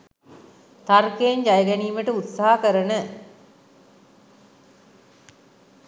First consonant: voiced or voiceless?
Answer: voiceless